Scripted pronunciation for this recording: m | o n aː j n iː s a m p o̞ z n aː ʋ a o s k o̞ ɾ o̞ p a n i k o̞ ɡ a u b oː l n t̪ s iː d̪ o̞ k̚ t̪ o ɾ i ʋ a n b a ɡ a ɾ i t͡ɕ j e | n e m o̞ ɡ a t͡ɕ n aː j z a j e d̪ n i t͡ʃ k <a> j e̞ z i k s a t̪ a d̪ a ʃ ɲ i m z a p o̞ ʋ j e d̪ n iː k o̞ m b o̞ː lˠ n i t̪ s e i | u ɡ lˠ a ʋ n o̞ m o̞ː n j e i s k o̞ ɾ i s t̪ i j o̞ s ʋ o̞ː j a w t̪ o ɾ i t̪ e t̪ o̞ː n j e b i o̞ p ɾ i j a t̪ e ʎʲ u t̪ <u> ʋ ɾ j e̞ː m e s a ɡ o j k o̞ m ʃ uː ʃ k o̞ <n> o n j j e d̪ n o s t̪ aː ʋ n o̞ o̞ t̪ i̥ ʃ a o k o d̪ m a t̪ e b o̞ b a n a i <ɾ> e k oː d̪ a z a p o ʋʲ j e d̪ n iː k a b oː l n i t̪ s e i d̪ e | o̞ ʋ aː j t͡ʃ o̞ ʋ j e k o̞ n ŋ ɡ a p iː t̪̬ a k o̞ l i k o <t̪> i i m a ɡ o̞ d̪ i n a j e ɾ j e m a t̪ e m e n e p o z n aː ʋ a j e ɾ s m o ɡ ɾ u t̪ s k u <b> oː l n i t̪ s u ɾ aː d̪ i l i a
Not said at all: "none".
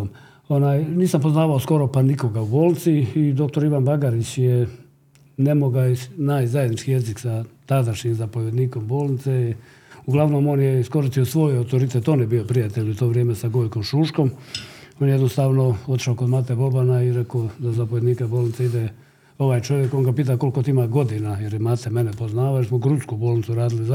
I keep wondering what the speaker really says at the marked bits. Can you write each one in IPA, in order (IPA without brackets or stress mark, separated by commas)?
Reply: i, o, m, ɾ, t̪, b